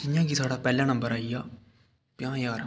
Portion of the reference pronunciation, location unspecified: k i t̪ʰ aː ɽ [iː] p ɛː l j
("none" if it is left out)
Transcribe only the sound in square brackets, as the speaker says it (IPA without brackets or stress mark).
aː